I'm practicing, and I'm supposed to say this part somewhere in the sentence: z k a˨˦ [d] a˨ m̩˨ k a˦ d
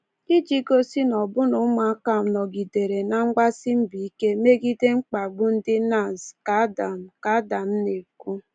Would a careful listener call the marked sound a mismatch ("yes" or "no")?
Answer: no